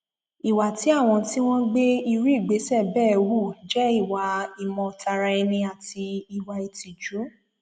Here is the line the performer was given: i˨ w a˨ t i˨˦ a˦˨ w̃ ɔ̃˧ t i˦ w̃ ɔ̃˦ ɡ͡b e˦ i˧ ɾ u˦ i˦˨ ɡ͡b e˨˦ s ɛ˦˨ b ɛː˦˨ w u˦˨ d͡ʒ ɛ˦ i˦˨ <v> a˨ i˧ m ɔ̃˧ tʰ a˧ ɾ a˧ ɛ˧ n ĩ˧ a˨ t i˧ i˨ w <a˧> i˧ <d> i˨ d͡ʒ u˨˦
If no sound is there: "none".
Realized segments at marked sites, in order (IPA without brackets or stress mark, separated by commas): w, a˧, t